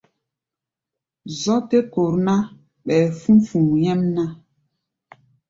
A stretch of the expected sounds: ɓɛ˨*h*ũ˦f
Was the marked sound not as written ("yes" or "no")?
yes